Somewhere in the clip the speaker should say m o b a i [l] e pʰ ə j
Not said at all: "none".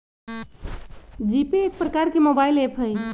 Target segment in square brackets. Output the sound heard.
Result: l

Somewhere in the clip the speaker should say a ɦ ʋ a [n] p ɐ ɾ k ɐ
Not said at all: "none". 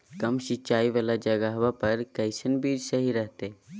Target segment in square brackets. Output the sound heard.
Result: none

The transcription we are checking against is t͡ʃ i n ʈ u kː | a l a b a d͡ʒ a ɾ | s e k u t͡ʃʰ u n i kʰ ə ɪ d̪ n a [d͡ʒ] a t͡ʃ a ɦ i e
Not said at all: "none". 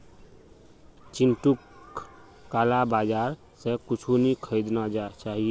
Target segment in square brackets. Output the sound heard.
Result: d͡ʒ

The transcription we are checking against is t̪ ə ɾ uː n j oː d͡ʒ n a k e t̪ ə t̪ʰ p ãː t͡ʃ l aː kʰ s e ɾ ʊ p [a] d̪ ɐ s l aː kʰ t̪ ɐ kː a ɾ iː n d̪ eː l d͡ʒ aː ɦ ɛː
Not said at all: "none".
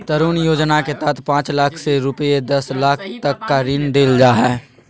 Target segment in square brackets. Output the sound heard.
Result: e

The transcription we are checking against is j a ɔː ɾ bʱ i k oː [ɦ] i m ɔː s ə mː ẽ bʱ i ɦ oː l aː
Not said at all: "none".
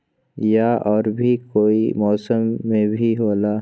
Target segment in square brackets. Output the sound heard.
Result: none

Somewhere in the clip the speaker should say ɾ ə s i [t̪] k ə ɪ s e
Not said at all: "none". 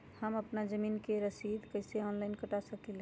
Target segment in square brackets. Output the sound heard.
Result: d̪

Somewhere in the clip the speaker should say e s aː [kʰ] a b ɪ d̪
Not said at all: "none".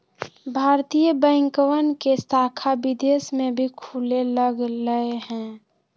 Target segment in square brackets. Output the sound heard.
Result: kʰ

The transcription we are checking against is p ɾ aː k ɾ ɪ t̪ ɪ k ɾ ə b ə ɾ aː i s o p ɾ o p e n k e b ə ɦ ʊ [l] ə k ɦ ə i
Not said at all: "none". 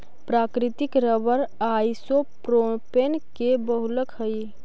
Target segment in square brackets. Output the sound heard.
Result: l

